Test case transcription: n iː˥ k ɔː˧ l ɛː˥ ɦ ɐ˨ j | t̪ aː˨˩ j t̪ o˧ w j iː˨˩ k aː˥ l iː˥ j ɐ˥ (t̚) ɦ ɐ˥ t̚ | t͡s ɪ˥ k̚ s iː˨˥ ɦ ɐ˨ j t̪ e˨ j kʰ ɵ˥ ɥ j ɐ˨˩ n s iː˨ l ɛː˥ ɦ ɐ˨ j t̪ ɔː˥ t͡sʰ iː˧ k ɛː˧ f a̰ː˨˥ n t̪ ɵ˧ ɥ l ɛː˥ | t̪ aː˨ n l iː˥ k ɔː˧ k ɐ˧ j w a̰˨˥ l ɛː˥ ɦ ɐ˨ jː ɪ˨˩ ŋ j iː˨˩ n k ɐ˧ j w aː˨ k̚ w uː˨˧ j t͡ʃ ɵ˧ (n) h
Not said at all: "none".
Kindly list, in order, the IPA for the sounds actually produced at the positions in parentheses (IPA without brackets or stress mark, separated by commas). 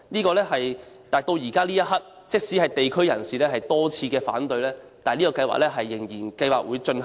t̚, n